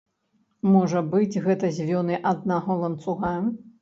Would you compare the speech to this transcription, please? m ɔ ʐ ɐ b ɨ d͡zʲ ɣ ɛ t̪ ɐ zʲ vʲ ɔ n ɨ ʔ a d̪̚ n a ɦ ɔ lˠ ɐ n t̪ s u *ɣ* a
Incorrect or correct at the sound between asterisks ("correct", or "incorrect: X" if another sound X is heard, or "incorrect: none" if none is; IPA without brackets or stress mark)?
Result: correct